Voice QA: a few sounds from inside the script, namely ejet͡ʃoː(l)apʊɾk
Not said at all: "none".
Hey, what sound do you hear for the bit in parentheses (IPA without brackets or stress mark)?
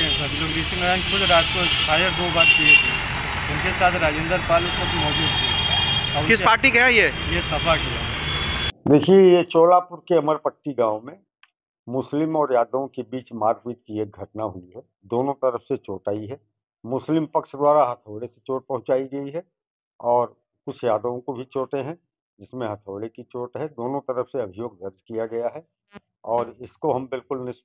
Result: l